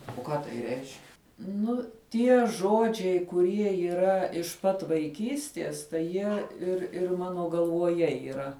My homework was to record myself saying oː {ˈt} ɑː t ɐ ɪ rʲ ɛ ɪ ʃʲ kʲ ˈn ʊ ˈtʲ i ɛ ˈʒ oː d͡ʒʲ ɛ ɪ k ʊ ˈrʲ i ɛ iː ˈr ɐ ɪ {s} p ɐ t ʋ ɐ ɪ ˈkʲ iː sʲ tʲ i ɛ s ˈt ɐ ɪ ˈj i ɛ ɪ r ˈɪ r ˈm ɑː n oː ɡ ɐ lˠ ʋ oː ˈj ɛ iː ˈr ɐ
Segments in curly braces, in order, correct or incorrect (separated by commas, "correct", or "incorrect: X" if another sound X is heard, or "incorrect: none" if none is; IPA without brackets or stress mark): incorrect: k, incorrect: ʃ